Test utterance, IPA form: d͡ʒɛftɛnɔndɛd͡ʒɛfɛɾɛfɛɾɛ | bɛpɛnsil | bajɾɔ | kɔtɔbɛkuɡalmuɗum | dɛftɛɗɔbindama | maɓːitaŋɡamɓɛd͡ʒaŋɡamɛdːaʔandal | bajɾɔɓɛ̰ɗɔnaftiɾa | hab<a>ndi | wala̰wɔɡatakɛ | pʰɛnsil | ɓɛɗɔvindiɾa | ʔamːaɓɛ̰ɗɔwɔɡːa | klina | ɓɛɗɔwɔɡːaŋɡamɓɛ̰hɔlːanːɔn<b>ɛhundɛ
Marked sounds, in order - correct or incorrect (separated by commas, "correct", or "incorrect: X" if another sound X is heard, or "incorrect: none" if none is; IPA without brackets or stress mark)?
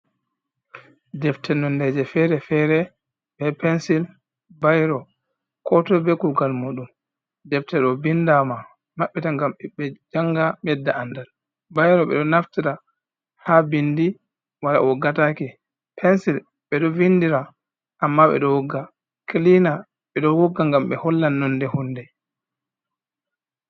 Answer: incorrect: i, incorrect: d